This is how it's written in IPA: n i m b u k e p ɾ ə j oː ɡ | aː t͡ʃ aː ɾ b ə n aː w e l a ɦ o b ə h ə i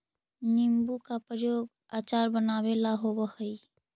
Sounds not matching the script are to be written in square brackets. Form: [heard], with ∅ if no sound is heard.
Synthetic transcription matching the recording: n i m b u k [a] p ɾ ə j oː ɡ | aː t͡ʃ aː ɾ b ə n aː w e l a ɦ o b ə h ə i